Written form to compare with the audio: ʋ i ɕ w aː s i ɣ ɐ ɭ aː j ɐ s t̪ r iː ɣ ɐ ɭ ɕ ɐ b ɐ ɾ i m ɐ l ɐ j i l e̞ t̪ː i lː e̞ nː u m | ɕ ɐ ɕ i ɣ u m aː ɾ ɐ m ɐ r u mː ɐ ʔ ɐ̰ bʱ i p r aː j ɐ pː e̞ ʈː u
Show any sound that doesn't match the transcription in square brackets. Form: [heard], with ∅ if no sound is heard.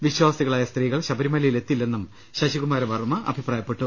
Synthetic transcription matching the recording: ʋ i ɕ w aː s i ɣ ɐ ɭ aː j ɐ s t̪ r iː ɣ ɐ ɭ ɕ ɐ b ɐ ɾ i m ɐ l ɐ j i l e̞ t̪ː i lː e̞ nː u m | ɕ ɐ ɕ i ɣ u m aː ɾ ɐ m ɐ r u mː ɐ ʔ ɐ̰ bʱ i p r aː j ɐ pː e̞ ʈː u